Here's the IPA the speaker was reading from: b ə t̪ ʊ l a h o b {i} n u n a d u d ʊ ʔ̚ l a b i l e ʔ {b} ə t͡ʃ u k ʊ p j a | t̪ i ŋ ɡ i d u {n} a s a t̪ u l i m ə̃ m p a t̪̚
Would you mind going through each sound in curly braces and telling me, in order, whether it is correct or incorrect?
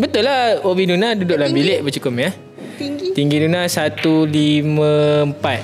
correct, correct, correct

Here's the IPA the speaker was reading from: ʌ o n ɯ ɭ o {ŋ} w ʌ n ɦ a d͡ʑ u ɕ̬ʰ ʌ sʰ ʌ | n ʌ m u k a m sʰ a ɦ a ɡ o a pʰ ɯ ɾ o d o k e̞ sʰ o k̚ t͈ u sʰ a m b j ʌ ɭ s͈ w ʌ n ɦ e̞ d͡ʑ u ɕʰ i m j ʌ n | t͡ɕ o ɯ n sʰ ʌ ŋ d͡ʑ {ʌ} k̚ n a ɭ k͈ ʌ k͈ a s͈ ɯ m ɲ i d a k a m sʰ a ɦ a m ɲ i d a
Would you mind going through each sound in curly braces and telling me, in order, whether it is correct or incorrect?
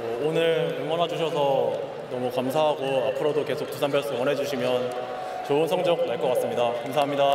correct, correct

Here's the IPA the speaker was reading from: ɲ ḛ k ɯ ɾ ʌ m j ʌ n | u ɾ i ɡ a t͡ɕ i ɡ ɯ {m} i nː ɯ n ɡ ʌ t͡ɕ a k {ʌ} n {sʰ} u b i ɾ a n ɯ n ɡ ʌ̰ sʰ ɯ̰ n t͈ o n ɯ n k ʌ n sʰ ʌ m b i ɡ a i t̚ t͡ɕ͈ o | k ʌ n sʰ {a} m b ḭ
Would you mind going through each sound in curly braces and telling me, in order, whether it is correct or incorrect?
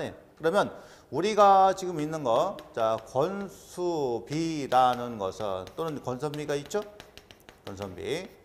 correct, correct, correct, incorrect: ʌ

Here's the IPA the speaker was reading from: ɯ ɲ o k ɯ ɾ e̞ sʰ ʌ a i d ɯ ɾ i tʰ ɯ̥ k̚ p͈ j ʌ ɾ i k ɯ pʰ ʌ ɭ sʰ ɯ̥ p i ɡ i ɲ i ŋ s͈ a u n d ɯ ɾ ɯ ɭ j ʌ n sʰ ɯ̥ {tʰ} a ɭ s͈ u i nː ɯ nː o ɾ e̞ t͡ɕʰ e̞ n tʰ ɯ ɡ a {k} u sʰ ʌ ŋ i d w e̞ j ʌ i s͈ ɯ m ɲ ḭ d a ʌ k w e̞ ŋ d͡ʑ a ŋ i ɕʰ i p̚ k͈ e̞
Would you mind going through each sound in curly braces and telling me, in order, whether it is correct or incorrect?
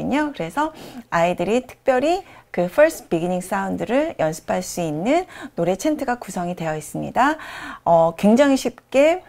incorrect: pʰ, correct

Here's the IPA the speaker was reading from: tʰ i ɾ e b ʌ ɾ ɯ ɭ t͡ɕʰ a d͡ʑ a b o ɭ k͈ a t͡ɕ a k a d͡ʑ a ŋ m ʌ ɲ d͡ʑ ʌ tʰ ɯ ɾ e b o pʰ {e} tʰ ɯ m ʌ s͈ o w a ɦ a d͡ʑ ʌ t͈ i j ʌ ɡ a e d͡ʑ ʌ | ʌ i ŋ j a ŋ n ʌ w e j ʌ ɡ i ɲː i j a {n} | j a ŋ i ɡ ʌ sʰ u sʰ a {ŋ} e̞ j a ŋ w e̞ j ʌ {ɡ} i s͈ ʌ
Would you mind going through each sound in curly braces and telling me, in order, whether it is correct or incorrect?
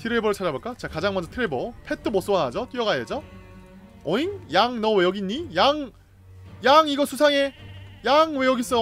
correct, incorrect: ŋ, correct, correct

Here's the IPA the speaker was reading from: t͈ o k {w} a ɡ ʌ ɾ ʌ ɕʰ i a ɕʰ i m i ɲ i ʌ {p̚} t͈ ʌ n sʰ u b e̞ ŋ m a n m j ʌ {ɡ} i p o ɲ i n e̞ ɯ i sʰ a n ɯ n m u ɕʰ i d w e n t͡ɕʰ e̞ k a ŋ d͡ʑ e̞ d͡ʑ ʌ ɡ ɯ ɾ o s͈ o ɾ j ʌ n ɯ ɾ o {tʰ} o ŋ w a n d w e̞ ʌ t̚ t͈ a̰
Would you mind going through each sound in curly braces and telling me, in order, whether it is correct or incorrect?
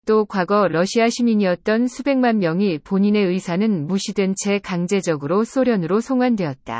correct, incorrect: t̚, incorrect: ŋ, incorrect: sʰ

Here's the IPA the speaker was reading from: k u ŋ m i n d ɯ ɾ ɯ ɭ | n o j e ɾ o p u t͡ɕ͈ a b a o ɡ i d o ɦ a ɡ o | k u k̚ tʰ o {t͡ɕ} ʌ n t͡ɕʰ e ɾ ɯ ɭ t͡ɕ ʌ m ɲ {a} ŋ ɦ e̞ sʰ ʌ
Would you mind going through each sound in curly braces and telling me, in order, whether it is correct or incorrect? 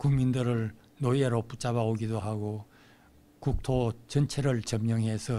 correct, incorrect: ʌ

